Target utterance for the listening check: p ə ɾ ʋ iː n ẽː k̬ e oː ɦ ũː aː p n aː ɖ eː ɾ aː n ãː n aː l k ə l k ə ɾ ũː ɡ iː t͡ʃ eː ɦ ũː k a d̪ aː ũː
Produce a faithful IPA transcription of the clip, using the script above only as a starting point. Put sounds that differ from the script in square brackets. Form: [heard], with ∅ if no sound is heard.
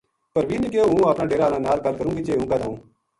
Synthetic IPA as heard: p ə ɾ ʋ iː n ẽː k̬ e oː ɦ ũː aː p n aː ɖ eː ɾ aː n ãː n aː l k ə l k ə ɾ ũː ɡ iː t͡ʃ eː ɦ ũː k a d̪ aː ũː